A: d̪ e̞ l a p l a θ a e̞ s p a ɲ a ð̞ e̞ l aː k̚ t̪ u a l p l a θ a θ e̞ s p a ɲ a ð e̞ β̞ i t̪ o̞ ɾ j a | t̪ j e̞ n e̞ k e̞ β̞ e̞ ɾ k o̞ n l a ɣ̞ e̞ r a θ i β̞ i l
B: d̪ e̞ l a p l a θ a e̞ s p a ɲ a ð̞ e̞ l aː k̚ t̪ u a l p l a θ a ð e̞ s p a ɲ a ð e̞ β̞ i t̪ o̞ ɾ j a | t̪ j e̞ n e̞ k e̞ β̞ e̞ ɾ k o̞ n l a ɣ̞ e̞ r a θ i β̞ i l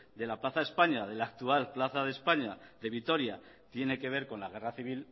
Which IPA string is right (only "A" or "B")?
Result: B